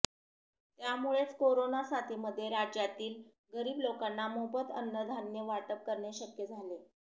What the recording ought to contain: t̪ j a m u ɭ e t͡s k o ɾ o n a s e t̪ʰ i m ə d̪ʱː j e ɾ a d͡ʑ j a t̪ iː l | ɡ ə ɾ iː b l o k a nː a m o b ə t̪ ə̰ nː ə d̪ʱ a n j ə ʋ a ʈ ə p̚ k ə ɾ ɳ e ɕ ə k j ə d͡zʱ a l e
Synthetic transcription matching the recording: t̪ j a m u ɭ e t͡s k o ɾ o n a s a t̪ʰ i m ə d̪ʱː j e ɾ a d͡ʑ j a t̪ iː l | ɡ ə ɾ iː b l o k a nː a m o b ə t̪ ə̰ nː ə d̪ʱ a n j ə ʋ a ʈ ə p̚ k ə ɾ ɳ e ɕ ə k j ə d͡zʱ a l e